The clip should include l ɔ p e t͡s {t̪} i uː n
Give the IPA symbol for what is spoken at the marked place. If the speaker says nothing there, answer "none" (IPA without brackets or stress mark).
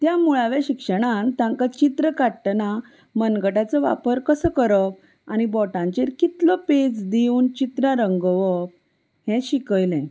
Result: d̪